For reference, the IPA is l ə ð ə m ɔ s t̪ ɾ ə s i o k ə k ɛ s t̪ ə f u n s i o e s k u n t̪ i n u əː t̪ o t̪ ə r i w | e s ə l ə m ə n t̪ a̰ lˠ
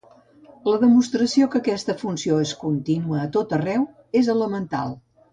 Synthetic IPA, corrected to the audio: l ə ð ə m u s t̪ ɾ ə s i o k ə k ɛ s t̪ ə f u n s i o e s k u n t̪ i n u əː t̪ o t̪ ə r ɛ w | e z ə l ə m ə n t̪ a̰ lˠ